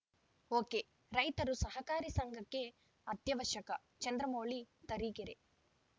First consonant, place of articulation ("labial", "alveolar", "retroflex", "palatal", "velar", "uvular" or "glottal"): velar